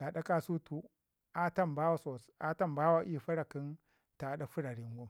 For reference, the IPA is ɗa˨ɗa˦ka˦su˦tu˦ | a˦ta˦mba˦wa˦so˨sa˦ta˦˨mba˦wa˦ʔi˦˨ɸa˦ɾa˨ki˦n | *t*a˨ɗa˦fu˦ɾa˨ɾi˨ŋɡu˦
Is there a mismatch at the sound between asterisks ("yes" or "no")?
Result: no